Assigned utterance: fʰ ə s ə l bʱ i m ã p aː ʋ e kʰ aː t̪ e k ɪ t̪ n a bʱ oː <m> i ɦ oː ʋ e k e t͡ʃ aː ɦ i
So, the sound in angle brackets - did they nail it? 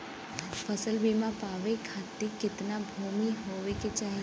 yes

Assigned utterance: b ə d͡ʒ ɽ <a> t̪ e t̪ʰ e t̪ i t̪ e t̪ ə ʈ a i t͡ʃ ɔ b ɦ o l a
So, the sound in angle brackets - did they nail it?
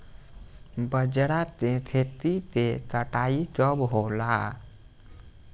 yes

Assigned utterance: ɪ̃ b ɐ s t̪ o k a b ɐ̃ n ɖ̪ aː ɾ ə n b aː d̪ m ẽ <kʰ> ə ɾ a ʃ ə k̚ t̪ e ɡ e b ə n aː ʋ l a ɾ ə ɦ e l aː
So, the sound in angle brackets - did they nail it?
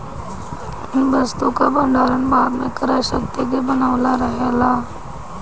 no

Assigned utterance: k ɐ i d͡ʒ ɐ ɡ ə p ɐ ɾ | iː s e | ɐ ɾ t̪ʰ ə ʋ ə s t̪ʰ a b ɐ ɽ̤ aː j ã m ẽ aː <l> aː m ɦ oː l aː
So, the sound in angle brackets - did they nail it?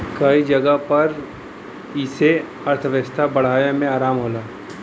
no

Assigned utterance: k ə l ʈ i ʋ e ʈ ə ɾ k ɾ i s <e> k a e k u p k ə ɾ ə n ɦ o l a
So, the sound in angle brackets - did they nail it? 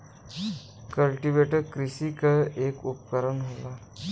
no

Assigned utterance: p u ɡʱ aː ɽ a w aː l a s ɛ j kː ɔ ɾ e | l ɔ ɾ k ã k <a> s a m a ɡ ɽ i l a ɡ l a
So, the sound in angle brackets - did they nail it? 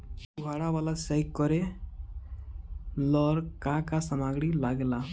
yes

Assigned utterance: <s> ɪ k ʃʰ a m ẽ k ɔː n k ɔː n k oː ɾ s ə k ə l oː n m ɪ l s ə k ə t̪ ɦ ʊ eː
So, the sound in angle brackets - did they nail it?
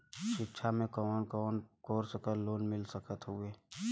no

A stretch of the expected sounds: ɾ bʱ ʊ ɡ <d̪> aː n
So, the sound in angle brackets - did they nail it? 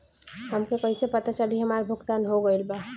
no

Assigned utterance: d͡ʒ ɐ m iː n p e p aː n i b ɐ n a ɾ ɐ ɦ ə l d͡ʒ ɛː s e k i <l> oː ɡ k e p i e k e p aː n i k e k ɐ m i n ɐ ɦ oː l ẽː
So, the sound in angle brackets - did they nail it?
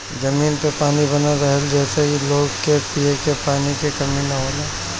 yes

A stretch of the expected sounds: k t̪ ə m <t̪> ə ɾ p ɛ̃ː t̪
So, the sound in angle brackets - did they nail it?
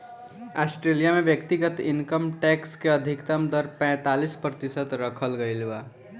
no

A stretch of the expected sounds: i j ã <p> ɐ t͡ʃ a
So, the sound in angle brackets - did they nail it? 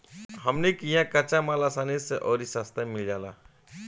no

